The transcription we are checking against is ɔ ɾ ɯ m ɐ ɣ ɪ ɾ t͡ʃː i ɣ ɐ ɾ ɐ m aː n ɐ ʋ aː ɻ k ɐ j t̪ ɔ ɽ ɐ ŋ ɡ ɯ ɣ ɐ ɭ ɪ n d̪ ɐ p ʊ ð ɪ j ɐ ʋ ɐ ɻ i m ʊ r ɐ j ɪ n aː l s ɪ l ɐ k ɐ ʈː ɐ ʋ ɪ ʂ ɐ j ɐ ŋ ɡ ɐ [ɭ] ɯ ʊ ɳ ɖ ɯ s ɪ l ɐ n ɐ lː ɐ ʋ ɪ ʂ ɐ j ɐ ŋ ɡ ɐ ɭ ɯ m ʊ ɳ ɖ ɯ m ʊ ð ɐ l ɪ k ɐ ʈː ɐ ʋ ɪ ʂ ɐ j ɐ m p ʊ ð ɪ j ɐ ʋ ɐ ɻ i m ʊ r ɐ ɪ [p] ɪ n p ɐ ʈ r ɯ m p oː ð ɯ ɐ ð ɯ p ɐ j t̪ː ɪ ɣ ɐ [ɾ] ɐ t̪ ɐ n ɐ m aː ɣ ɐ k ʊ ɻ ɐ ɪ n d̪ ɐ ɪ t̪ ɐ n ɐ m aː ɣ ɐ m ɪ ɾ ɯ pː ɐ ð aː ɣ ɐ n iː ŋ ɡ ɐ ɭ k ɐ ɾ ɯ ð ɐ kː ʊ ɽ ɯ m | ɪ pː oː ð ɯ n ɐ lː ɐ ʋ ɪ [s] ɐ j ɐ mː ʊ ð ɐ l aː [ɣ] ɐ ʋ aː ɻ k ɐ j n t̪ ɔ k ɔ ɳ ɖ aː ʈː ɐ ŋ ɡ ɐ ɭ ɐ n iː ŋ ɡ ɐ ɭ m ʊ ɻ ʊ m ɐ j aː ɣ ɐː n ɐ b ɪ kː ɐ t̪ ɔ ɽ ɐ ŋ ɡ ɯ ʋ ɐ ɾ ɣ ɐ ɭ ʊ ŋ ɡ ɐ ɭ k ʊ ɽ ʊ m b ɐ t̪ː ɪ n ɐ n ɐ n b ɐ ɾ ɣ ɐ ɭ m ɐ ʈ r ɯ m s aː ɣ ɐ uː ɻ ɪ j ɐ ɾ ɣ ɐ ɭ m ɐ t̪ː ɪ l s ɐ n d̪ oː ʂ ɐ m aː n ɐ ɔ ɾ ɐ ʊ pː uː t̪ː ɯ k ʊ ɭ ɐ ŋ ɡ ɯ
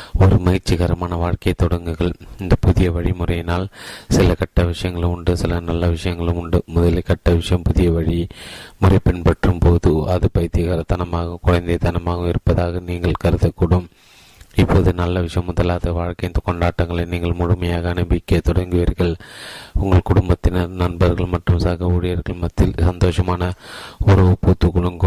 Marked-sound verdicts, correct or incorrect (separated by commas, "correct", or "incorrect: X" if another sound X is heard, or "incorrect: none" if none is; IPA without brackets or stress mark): correct, correct, correct, incorrect: ʂ, incorrect: ð